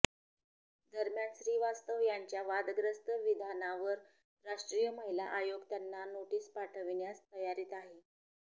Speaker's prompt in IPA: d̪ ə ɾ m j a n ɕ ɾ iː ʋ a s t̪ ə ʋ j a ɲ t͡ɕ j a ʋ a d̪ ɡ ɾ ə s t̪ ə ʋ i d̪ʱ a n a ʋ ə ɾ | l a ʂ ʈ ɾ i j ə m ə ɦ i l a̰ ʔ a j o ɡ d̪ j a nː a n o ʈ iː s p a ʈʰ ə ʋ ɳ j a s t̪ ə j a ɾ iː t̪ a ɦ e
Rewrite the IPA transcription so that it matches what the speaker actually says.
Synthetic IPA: d̪ ə ɾ m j a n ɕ ɾ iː ʋ a s t̪ ə ʋ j a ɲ t͡ɕ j a ʋ a d̪ ɡ ɾ ə s t̪ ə ʋ i d̪ʱ a n a ʋ ə ɾ | ɾ a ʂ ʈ ɾ i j ə m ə ɦ i l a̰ ʔ a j o ɡ t̪ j a nː a n o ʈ iː s p a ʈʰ ə ʋ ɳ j a s t̪ ə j a ɾ iː t̪ a ɦ e